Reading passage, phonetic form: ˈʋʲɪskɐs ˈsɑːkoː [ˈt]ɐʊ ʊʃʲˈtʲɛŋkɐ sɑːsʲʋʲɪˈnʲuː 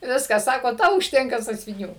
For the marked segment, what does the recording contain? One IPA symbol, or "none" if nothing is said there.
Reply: t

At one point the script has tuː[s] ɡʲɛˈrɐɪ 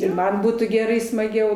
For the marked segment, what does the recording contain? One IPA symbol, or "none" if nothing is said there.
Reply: none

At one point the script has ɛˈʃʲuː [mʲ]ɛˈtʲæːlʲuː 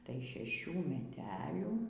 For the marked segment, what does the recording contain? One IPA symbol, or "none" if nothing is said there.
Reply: mʲ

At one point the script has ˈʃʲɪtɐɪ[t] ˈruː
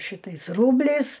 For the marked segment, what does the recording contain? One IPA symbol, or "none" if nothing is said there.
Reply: s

